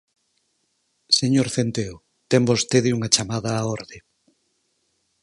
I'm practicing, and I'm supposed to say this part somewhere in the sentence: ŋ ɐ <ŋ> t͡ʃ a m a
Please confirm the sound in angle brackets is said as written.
no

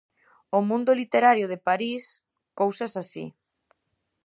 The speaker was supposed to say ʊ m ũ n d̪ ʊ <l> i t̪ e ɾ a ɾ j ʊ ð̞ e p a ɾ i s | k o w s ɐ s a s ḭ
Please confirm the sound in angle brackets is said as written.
yes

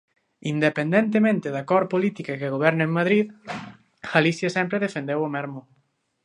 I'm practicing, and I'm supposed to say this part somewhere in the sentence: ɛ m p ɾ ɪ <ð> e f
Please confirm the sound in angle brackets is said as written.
yes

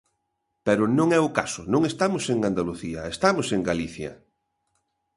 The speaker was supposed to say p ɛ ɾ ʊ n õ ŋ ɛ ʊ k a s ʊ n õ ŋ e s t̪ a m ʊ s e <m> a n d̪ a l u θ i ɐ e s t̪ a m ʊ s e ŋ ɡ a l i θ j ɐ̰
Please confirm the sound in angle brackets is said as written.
no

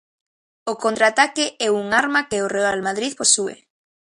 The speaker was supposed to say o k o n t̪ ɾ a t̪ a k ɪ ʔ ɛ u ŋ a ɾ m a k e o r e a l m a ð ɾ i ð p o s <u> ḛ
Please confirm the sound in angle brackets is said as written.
yes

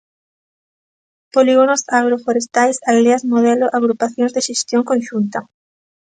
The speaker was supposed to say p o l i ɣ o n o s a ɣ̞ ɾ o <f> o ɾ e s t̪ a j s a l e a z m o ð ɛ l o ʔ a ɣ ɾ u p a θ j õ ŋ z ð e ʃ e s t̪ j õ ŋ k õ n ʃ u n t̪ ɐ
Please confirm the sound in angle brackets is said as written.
yes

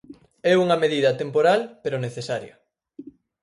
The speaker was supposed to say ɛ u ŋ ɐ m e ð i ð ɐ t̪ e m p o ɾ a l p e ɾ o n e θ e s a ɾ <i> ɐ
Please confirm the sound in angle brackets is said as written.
no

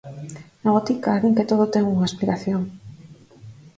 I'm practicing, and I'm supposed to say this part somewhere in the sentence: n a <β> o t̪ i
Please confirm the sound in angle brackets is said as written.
yes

